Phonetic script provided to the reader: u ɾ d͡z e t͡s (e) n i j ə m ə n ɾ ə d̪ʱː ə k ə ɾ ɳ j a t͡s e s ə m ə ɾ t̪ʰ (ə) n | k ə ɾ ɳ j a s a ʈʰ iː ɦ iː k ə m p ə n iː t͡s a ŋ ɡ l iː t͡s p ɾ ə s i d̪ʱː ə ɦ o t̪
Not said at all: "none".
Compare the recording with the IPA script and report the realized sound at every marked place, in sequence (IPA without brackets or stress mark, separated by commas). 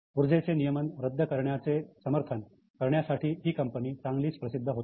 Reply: e, ə